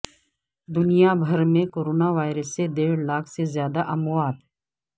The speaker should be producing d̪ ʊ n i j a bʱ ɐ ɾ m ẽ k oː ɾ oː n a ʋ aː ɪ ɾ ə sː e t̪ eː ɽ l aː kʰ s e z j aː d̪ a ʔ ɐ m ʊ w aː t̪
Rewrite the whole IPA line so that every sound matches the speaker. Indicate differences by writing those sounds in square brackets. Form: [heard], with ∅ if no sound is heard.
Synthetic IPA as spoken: d̪ ʊ n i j a bʱ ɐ ɾ m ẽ k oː ɾ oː n a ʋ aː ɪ ɾ ə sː e [d̪] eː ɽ l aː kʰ s e z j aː d̪ a ʔ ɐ m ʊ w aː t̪